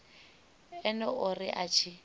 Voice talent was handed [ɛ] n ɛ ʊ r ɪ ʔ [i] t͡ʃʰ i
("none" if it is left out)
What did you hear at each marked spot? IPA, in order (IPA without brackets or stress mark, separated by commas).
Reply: ɛ, a